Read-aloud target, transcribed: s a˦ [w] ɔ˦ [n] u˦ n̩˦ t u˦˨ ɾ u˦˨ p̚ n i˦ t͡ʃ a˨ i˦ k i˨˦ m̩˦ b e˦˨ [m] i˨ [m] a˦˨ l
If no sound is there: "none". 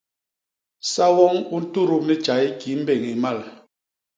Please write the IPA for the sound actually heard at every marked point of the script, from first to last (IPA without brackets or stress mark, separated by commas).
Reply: w, ŋ, ŋ, m